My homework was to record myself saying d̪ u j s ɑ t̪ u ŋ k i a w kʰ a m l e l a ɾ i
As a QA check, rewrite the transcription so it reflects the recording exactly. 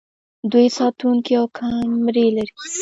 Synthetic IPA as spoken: d̪ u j s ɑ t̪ u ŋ k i a w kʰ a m ɾ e l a ɾ i

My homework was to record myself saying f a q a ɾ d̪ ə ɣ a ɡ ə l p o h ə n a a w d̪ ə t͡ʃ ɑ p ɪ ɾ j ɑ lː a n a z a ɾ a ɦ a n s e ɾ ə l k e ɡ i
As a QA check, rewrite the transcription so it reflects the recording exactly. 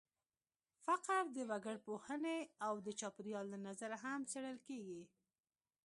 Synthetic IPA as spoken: f a q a ɾ d̪ ə w a ɡ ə ɽ p o h ə n e a w d̪ ə t͡ʃ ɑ p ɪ ɾ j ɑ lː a n a z a ɾ a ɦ a m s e ɽ ə l k e ɡ i

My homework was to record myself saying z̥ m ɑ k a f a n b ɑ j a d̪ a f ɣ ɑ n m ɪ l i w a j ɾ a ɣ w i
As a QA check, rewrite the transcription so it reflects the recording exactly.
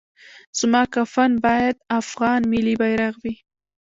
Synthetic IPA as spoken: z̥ m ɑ k a f a n b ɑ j a d̪ a f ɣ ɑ n m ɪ l i b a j ɾ a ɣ w i

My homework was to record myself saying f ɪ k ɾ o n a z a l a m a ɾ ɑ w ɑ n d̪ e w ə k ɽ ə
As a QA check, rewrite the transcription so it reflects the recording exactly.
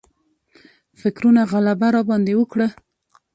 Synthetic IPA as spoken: f ɪ k ɾ u n a ɣ a l a b a ɾ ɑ b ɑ n d̪ e w ə k ɽ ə

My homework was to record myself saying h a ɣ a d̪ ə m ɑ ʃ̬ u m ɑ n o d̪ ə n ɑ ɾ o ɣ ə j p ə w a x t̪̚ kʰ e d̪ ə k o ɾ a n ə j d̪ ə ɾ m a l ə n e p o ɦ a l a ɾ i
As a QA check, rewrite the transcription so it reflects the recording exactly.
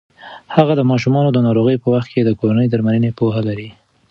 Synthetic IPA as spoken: h a ɣ a d̪ ə m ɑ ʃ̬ u m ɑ n o d̪ ə n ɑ ɾ o ɣ ə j p ə w a x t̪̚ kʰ e d̪ ə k o ɾ a n ə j d̪ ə ɾ m a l ə n e p o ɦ a l a ɾ i

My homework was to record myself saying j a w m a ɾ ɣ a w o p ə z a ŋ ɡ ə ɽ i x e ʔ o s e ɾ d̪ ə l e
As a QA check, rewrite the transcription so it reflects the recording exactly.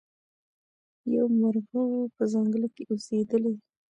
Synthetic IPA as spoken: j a w m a ɾ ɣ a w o p ə z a ŋ ɡ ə l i k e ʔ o s e d̪ ə l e

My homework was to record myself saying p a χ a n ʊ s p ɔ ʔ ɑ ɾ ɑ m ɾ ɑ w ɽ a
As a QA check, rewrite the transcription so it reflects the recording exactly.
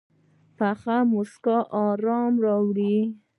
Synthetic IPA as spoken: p a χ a m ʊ s k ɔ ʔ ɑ ɾ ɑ m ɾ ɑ w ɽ i

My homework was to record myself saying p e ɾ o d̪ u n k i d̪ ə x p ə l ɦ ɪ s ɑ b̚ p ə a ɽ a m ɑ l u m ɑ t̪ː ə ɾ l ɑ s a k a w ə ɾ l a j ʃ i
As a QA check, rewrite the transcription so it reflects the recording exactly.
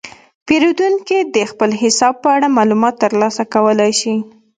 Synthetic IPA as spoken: p e ɾ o d̪ u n k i d̪ ə x p ə l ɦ ɪ s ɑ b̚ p ə a ɽ a m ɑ l u m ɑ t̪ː ə ɾ l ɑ s a k a w ə l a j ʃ i

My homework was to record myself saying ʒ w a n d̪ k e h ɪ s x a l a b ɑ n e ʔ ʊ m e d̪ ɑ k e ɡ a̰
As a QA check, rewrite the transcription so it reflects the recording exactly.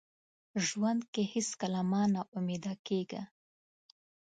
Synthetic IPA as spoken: ʒ w a n d̪ k e h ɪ s k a l a m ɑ n a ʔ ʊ m e d̪ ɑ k e ɡ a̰

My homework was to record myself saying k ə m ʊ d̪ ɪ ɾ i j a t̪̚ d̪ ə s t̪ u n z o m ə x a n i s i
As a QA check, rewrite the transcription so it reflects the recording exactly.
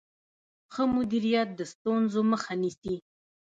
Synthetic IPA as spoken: x ə m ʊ d̪ i ɾ i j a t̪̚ d̪ ə s t̪ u n z o m ə x a n i s i

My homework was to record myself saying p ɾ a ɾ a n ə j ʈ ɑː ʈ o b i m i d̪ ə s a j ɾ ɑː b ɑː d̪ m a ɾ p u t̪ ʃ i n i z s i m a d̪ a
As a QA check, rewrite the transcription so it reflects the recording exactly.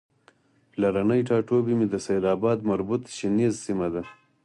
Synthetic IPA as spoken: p l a ɾ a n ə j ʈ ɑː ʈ o b i m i d̪ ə s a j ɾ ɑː b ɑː d̪ m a ɾ b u t̪ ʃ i n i z s i m a d̪ a

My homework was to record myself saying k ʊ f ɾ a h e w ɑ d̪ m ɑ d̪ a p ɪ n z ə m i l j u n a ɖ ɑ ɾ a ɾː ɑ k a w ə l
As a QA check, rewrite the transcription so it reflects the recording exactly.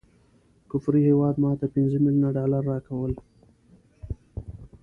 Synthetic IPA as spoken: k ʊ f ɾ i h e w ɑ d̪ m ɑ t̪ a p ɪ n z ə m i l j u n a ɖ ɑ l a ɾː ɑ k a w ə l

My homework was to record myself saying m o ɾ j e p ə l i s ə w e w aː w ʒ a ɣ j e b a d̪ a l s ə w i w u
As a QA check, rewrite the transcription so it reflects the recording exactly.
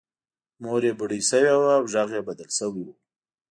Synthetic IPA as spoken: m o ɾ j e b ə ɽ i s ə w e w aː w ʒ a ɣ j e b a d̪ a l s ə w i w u

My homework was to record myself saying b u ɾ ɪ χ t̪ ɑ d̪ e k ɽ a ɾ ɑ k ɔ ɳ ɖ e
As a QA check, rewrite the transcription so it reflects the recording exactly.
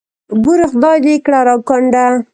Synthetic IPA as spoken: b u ɾ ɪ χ d̪ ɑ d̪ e k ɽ a ɾ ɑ k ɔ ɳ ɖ a

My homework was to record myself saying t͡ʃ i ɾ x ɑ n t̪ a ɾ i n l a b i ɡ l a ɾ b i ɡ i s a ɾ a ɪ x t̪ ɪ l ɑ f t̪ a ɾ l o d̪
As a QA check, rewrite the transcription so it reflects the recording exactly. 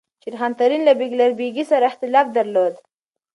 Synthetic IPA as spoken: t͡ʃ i ɾ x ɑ n t̪ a ɾ i n l a b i ɡ l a ɾ b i ɡ i s a ɾ a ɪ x t̪ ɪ l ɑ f d̪ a ɾ l o d̪

